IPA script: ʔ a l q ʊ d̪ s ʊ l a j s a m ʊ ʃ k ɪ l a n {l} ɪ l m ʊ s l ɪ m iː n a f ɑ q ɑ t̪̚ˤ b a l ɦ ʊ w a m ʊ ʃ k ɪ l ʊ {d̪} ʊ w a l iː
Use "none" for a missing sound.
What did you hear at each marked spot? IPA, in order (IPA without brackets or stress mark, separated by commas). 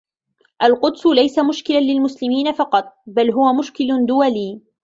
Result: l, d̪